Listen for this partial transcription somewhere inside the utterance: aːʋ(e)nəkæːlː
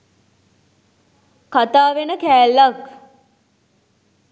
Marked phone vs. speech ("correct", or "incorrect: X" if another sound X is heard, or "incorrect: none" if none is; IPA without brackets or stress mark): correct